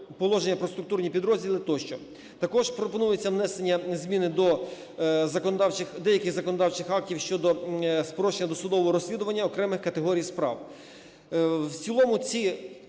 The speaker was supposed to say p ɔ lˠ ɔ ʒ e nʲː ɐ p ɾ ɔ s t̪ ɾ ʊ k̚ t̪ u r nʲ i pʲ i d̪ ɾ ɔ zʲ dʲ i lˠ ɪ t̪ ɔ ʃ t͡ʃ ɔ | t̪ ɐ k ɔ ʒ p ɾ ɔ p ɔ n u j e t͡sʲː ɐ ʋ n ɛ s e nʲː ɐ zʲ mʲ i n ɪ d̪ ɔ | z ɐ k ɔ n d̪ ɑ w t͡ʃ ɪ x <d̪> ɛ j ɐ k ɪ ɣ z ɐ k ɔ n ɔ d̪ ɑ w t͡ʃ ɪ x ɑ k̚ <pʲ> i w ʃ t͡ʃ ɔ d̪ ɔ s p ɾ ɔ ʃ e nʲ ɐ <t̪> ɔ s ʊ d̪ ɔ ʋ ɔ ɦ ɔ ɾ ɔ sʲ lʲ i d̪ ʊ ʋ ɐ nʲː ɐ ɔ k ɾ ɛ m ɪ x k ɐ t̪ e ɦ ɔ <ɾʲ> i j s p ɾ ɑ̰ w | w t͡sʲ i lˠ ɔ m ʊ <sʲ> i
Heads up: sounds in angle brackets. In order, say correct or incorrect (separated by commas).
correct, incorrect, incorrect, correct, incorrect